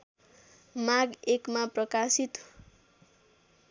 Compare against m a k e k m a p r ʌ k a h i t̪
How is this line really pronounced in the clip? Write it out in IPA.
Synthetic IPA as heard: m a ɡ e k m a p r ʌ k a s i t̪